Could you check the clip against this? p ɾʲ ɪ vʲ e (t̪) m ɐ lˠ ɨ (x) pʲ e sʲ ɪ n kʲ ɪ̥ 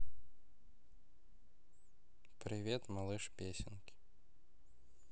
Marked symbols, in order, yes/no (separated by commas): yes, no